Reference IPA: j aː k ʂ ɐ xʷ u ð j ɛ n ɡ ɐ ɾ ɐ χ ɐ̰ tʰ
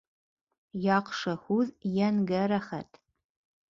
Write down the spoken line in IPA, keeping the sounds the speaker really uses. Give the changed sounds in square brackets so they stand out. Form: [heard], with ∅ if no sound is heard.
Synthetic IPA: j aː [q] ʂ ɐ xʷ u [z] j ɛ n ɡ ɐ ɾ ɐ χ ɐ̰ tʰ